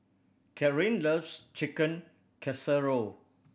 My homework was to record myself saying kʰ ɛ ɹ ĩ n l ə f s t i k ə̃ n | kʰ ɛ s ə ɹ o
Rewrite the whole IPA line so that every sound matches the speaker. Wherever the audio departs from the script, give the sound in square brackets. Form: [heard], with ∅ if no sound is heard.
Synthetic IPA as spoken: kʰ ɛ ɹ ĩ n l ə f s [t͡ʃ] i k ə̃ n | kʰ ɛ s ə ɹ o